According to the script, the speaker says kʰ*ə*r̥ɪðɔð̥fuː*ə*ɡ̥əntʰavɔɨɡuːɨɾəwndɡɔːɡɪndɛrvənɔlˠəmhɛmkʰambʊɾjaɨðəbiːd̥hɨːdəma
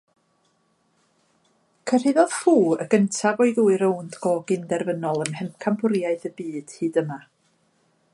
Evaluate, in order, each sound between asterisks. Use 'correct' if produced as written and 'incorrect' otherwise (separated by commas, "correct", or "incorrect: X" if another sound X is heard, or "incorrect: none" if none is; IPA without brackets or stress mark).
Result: correct, correct